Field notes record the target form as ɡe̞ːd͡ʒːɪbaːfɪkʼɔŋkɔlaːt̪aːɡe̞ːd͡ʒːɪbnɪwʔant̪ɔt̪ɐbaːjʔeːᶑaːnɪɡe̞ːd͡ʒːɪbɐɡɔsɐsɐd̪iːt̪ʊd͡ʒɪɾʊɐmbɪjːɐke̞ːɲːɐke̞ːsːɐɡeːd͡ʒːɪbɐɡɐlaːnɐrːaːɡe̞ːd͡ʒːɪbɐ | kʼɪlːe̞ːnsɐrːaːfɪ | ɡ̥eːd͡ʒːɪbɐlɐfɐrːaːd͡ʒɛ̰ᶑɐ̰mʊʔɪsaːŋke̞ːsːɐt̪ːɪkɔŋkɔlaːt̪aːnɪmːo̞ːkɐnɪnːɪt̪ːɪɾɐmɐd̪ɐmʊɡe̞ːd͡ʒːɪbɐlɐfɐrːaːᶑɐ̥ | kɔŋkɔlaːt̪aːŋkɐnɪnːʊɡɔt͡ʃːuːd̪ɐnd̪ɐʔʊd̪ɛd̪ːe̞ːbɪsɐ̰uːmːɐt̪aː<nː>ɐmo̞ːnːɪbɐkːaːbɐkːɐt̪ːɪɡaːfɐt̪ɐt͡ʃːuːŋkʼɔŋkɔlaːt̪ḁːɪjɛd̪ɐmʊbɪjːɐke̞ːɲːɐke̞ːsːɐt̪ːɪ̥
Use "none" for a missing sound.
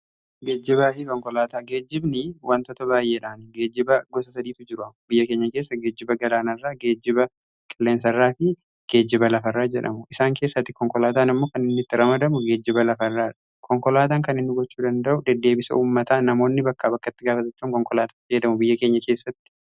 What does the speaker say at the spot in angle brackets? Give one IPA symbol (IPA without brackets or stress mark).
n